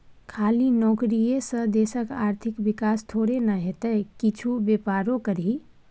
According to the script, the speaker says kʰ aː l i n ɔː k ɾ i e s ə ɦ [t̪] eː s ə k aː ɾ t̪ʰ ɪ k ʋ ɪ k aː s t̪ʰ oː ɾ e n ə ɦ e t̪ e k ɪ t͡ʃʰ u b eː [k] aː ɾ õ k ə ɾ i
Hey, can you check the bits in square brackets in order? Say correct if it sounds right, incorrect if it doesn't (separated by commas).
incorrect, incorrect